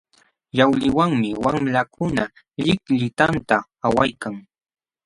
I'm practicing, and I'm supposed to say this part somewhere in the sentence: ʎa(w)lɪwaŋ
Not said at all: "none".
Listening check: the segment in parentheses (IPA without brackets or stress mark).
w